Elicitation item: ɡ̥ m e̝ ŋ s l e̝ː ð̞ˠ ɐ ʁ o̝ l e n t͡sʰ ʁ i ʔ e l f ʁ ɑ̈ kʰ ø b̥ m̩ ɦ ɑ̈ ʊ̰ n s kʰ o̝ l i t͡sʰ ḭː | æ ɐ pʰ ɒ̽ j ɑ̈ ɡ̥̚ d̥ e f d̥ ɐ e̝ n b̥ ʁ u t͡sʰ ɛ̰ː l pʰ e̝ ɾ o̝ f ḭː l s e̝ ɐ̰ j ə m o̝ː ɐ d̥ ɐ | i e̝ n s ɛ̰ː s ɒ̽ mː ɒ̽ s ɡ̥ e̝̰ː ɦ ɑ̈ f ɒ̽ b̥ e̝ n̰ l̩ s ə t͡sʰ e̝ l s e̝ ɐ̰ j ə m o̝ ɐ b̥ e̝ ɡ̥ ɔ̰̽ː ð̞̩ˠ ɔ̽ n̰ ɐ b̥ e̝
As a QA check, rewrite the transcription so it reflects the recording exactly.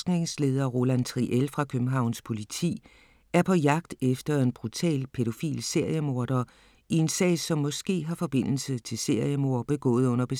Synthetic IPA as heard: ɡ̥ n e̝ ŋ s l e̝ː ð̞ˠ ɐ ʁ o̝ l æ n t͡sʰ ʁ i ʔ e l f ʁ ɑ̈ kʰ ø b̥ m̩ ɦ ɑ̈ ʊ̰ n s pʰ o̝ l i t͡sʰ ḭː | æ ɐ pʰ ɒ̽ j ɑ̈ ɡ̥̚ d̥ e f d̥ ɐ e̝ n b̥ ʁ u t͡sʰ ɛ̰ː l pʰ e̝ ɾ o̝ f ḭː l s e̝ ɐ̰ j ə m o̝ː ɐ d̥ ɐ | i e̝ n s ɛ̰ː s ɒ̽ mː ɒ̽ s ɡ̥ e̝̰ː ɦ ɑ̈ f ɒ̽ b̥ e̝ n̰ l̩ s ə t͡sʰ e̝ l s e̝ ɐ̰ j ə m o̝ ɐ b̥ e̝ ɡ̥ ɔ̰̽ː ð̞̩ˠ ɔ̽ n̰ ɐ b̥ e̝

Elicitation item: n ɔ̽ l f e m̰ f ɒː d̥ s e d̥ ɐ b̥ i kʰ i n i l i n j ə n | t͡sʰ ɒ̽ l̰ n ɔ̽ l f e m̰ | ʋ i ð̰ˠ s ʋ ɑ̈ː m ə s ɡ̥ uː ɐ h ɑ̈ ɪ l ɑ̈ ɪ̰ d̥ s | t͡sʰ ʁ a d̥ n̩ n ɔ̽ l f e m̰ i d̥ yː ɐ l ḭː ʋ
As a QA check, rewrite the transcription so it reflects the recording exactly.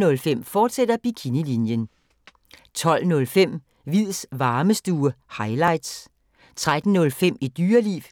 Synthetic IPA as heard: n ɔ̽ l f e m̰ f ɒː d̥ s e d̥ ɐ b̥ i kʰ i n i l i n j ə n | t͡sʰ ɒ̽ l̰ n ɔ̽ l f e m̰ | ʋ i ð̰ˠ s ʋ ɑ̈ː m ə s d̥ uː ɐ h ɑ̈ ɪ l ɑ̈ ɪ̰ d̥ s | t͡sʰ ʁ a d̥ n̩ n ɔ̽ l f e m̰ i d̥ yː ɐ l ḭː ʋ

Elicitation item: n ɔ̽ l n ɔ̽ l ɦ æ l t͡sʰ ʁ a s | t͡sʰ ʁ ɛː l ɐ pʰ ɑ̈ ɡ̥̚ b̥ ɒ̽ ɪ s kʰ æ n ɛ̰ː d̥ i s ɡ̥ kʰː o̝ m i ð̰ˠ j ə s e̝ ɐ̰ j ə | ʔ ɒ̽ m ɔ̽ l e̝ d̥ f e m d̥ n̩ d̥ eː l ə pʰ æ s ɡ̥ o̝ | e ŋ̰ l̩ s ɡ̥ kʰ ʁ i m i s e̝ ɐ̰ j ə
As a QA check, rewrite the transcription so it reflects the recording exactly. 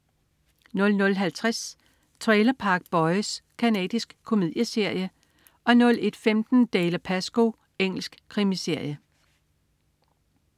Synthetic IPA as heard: n ɔ̽ l n ɔ̽ l ɦ æ l t͡sʰ ʁ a s | t͡sʰ ʁ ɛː l ɐ pʰ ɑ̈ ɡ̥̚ b̥ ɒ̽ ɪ s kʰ æ n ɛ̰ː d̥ i s ɡ̥ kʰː o̝ m i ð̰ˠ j ə s e̝ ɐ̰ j ə | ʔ ɒ̽ n ɔ̽ l e̝ d̥ f e m d̥ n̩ d̥ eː l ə pʰ æ s ɡ̥ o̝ | e ŋ̰ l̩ s ɡ̥ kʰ ʁ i m i s e̝ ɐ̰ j ə

